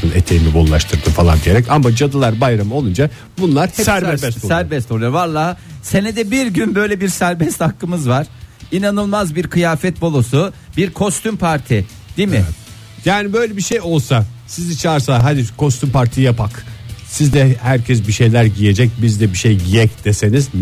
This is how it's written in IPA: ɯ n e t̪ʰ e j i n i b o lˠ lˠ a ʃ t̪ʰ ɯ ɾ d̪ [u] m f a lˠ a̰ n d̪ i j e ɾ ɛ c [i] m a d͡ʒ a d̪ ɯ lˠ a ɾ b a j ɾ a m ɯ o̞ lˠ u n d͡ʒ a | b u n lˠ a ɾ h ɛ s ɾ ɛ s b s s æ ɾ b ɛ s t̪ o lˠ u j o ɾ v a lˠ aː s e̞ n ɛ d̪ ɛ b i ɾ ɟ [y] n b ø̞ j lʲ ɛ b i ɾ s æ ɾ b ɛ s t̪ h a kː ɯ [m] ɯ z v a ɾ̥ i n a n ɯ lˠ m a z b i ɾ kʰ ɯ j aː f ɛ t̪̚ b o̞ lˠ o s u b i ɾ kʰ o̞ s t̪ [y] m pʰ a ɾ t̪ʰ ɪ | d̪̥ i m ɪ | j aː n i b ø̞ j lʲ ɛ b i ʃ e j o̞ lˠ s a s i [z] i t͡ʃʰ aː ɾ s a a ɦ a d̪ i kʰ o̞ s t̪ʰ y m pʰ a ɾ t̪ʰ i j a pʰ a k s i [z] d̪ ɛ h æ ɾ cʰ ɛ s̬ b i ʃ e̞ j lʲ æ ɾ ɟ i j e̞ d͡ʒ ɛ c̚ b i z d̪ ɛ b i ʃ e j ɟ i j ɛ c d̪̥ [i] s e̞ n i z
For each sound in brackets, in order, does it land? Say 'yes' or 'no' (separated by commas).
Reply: no, no, yes, yes, yes, yes, yes, no